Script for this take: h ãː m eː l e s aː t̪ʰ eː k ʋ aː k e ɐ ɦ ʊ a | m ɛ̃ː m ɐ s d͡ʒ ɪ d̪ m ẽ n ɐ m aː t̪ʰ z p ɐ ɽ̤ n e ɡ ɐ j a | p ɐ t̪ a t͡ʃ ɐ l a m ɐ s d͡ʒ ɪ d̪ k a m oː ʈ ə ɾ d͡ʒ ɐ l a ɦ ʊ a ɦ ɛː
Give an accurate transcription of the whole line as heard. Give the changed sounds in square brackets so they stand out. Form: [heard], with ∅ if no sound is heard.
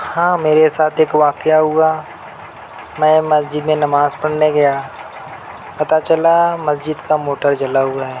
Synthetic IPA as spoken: h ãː m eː [ɾ] e s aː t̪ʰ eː k ʋ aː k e [a] ɦ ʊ a | m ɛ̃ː m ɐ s d͡ʒ ɪ d̪ m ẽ n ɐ m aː [∅] z p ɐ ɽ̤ n e ɡ ɐ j a | p ɐ t̪ a t͡ʃ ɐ l a m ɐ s d͡ʒ ɪ d̪ k a m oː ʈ ə ɾ d͡ʒ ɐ l a ɦ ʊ a ɦ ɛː

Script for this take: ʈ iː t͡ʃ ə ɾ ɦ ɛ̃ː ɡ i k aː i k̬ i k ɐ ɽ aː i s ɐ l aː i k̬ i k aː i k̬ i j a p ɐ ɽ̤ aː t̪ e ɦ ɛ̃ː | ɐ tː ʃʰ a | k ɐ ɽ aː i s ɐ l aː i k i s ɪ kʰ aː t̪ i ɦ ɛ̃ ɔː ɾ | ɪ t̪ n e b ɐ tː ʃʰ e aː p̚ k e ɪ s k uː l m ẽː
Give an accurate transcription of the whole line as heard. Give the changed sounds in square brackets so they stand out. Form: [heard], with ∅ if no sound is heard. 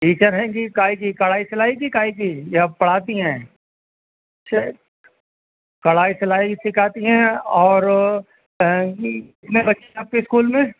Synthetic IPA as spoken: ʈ iː t͡ʃ ə ɾ ɦ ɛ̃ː ɡ i k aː i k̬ i k ɐ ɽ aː i s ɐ l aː i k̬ i k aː i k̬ i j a p ɐ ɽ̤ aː t̪ [i] ɦ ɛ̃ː | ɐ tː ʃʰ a | k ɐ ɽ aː i s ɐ l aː i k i s ɪ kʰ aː t̪ i ɦ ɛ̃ ɔː ɾ | ɪ t̪ n e b ɐ tː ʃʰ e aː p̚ k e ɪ s k uː l m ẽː

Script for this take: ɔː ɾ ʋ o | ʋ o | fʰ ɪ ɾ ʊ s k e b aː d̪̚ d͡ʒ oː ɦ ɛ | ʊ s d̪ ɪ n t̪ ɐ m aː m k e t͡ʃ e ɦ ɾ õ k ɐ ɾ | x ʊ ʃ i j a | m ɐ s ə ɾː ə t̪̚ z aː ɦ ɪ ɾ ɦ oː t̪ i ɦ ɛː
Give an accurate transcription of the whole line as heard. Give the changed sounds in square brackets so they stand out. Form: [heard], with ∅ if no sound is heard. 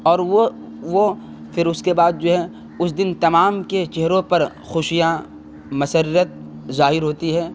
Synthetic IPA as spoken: ɔː ɾ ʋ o | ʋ o | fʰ ɪ ɾ ʊ s k e b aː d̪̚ d͡ʒ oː ɦ ɛ | ʊ s d̪ ɪ n t̪ ɐ m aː m k e t͡ʃ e ɦ ɾ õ [p] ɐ ɾ | x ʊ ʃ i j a | m ɐ s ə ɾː ə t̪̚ z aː ɦ ɪ ɾ ɦ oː t̪ i ɦ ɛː

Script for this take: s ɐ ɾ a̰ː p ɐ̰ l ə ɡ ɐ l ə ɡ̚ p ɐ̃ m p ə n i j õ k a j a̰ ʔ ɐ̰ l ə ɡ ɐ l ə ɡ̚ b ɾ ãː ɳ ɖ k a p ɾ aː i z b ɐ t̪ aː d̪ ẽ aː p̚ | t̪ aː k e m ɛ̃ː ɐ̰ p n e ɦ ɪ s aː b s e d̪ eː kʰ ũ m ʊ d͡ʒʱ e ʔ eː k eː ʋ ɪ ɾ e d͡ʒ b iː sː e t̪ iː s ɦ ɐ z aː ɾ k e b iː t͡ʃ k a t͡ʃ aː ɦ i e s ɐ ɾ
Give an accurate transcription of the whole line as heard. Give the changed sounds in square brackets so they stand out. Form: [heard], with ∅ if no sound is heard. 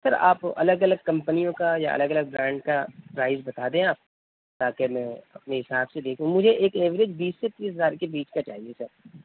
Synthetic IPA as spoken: s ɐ ɾ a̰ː p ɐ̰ l ə ɡ ɐ l ə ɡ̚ [k] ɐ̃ m p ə n i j õ k a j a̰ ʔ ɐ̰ l ə ɡ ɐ l ə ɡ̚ b ɾ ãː ɳ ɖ k a p ɾ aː [ɪ] z b ɐ t̪ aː d̪ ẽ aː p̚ | t̪ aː k e m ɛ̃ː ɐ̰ p n e ɦ ɪ s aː b s e d̪ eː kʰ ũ m ʊ d͡ʒʱ e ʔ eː k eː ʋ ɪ ɾ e d͡ʒ b iː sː e t̪ iː s ɦ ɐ z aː ɾ k e b iː t͡ʃ k a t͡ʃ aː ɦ i e s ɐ ɾ

